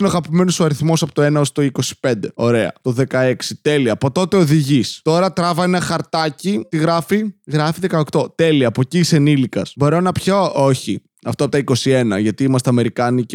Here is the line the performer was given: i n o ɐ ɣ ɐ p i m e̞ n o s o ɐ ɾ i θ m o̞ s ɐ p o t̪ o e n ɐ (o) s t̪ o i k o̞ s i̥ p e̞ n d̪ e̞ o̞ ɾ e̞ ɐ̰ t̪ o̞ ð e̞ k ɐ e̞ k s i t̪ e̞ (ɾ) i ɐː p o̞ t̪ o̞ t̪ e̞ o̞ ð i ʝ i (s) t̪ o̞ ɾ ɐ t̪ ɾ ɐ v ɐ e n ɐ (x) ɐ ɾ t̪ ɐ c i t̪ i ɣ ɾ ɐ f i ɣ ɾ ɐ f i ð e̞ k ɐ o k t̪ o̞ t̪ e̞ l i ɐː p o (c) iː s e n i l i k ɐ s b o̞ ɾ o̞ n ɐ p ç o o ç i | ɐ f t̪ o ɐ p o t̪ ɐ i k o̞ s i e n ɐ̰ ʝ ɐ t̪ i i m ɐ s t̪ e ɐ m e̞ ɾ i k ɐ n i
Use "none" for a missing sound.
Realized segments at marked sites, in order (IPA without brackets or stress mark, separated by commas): o, l, s, x, c